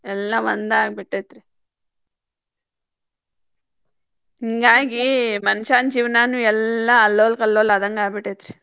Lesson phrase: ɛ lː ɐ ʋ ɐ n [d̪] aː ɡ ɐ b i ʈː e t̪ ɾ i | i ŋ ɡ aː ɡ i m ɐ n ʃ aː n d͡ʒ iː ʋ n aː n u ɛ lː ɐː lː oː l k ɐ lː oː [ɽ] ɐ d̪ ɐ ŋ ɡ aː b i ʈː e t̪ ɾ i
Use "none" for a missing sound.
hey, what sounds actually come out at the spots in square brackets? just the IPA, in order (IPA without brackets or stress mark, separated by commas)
d̪, l